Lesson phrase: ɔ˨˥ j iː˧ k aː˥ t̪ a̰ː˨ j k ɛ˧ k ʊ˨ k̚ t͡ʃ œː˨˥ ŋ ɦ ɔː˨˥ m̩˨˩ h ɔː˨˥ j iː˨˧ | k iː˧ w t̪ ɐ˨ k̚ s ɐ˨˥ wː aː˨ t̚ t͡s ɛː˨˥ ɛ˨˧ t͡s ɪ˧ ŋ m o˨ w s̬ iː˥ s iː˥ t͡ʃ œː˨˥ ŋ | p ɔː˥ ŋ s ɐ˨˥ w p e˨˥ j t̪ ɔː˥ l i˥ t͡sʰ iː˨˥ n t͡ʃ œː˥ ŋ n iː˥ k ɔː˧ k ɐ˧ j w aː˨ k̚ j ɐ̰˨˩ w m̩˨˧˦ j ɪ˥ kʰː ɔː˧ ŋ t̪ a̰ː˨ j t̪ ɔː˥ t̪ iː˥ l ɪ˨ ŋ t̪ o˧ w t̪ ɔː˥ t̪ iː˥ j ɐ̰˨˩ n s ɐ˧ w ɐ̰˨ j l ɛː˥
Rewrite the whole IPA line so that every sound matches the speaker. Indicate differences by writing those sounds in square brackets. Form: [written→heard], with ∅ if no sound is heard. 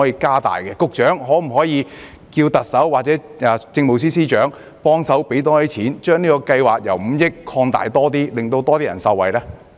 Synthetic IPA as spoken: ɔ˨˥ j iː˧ k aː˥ t̪ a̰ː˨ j k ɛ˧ k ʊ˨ k̚ t͡ʃ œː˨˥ ŋ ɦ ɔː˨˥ m̩˨˩ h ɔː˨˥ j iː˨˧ | k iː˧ w t̪ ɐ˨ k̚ s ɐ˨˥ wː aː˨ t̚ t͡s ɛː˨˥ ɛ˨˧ t͡s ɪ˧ ŋ m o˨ w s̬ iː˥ s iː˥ t͡ʃ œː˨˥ ŋ | p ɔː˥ ŋ s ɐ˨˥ w p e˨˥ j t̪ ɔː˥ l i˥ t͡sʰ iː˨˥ n t͡ʃ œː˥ ŋ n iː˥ k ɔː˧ k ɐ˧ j w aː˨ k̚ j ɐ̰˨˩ w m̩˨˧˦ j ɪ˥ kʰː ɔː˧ ŋ t̪ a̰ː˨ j t̪ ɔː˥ t̪ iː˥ l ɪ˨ ŋ t̪ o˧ w t̪ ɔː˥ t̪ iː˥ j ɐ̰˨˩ n s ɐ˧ w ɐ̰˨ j l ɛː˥